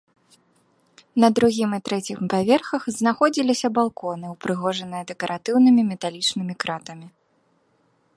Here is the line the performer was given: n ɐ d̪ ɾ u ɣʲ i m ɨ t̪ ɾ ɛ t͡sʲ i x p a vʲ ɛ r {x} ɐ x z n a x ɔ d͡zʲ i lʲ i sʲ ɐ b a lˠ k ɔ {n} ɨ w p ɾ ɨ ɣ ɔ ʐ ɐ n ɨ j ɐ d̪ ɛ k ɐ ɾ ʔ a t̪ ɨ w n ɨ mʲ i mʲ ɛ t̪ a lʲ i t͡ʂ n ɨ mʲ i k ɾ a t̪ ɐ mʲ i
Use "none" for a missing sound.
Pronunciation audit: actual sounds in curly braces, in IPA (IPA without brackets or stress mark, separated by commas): x, n